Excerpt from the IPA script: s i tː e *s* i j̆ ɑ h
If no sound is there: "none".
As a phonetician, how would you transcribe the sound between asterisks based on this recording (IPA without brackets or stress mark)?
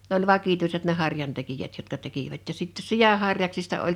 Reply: s